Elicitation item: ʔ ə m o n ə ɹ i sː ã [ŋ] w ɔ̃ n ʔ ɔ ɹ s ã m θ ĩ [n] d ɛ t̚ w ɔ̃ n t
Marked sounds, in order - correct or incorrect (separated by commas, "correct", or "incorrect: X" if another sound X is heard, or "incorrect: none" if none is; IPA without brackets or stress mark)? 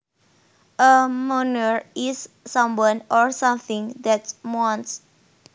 incorrect: m, incorrect: ŋ